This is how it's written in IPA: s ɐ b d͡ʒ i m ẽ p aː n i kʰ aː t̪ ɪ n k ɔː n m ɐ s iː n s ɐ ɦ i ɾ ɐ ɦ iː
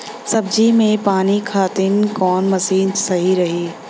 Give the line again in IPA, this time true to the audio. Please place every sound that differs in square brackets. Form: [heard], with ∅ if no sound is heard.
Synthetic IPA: s ɐ b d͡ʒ i m ẽ p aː n i kʰ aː t̪ ɪ n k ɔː n m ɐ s iː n s ɐ ɦ i ɾ ɐ ɦ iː

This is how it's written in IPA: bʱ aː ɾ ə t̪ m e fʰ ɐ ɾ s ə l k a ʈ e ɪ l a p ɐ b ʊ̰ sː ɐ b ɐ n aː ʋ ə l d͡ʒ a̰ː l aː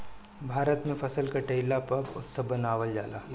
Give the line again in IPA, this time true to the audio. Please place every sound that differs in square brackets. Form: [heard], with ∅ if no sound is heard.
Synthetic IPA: bʱ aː ɾ ə t̪ m [ẽ] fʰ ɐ [∅] s ə l k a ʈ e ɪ l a p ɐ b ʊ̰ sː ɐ b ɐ n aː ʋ ə l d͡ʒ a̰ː l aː

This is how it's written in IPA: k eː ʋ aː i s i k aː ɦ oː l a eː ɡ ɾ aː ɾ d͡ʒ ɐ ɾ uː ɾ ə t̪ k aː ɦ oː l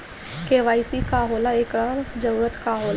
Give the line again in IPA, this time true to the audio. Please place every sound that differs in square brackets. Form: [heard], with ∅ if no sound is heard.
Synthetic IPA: k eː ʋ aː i s i k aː ɦ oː l a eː [k] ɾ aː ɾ d͡ʒ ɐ ɾ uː ɾ ə t̪ k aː ɦ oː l

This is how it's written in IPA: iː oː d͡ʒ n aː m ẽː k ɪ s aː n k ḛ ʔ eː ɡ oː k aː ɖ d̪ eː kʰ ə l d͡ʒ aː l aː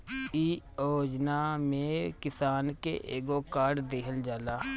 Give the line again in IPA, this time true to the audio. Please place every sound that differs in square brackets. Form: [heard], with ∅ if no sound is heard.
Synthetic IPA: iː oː d͡ʒ n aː m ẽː k ɪ s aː n k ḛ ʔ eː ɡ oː k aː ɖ d̪ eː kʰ ə l d͡ʒ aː l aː

